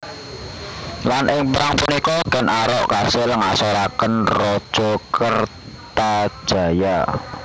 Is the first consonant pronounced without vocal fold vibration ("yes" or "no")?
no